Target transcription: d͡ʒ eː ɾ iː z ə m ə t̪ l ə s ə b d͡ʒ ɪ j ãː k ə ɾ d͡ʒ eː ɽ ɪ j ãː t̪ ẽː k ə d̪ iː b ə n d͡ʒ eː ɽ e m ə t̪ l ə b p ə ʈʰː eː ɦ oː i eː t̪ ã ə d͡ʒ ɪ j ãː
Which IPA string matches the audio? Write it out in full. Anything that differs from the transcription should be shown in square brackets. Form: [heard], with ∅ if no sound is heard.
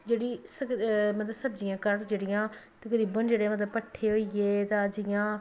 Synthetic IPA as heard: d͡ʒ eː [ɽ] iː [s] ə m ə t̪ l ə s ə b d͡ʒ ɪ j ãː k ə ɾ d͡ʒ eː ɽ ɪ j ãː t̪ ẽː k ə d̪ iː b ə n d͡ʒ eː ɽ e m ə t̪ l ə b p ə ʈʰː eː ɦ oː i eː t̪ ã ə d͡ʒ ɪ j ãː